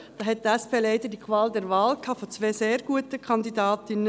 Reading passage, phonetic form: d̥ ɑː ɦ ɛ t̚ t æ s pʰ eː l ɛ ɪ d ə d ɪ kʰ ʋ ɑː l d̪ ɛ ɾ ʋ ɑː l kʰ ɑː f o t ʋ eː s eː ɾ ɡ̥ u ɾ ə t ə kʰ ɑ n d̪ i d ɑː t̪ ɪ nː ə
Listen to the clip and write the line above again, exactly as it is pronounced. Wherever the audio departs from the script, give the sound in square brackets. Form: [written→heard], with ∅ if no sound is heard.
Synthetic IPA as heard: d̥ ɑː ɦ ɛ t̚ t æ s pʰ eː l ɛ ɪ d ə d [ɪ→i] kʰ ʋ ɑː l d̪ ɛ ɾ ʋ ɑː l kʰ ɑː f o [t→t͡s] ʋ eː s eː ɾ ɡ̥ u [ɾ→∅] ə t ə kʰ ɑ n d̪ i d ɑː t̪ ɪ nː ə

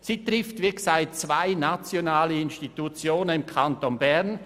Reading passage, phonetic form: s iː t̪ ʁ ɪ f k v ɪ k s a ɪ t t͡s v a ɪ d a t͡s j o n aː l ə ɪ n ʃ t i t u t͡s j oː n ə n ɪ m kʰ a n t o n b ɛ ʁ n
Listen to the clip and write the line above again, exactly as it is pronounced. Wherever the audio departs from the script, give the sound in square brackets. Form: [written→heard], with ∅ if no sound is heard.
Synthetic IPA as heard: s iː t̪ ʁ ɪ f [k→t] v ɪ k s a ɪ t t͡s v a ɪ [d→n] a t͡s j o n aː l ə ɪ n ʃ t i t u t͡s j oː n ə n ɪ m kʰ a n t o n b ɛ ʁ n

